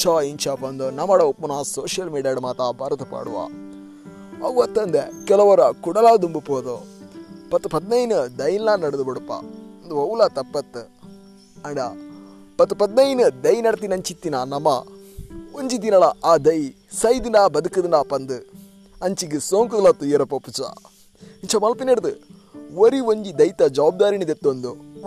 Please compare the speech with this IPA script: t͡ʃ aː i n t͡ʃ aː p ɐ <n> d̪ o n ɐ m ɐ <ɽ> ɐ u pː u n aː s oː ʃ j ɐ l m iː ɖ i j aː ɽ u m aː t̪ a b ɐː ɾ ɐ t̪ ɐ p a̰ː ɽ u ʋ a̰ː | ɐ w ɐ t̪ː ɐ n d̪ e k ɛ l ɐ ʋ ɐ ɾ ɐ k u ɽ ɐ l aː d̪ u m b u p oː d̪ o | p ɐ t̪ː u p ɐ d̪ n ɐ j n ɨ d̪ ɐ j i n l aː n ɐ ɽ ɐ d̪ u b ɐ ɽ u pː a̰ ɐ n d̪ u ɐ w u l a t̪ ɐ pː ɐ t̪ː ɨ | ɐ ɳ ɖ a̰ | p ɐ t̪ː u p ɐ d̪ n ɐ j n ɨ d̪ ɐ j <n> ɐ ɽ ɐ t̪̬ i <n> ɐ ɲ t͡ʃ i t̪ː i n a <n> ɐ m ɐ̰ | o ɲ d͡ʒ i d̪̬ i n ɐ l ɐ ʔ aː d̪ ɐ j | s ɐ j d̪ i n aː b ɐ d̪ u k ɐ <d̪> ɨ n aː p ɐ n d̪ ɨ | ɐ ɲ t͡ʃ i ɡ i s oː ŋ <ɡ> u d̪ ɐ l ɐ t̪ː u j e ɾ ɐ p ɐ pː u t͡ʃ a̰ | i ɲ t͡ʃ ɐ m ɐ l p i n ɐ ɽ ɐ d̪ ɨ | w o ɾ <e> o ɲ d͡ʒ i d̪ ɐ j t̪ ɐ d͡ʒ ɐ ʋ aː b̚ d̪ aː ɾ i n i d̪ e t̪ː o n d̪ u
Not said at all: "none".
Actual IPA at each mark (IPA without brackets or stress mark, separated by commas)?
n, ɽ, n, n, n, d̪, k, i